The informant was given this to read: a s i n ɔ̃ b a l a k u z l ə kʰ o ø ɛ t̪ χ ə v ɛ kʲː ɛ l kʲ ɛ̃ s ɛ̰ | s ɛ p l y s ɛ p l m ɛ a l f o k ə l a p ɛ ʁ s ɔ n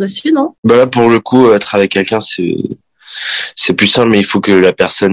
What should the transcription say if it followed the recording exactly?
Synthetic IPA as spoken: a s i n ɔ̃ b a l a p u ʁ l ə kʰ u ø ɛ t̪ χ a v ɛ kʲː ɛ l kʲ ɛ̃ s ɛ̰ | s ɛ p l y s ɛ̃ p l m ɛ i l f o k ə l a p ɛ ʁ s ɔ n